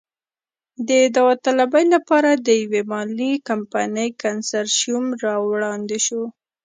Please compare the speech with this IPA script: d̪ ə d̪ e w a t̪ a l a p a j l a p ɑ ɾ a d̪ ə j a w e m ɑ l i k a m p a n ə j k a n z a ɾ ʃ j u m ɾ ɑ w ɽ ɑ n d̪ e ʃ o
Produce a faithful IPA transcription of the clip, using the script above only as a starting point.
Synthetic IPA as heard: d̪ ə d̪ a w a t̪ a l a b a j l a p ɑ ɾ a d̪ ə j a w e m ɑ l i k a m p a n ə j k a n s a ɾ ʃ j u m ɾ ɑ w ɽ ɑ n d̪ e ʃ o